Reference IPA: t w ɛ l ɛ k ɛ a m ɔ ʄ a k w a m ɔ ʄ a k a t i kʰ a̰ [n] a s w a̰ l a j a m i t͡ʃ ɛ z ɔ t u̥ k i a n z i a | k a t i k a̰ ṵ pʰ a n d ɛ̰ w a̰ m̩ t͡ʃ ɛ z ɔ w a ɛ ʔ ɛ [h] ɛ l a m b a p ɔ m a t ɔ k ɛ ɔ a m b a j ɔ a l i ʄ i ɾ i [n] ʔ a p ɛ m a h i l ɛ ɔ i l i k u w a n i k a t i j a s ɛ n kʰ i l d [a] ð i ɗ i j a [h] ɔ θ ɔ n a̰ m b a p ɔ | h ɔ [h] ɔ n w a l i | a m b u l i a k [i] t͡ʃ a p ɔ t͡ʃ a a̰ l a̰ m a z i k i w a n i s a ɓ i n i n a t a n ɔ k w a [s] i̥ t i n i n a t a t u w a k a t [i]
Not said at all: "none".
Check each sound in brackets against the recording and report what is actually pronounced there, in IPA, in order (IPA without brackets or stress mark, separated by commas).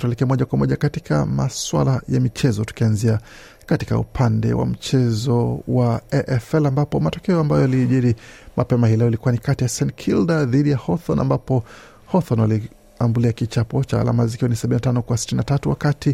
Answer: m, f, m, a, h, θ, i, s, i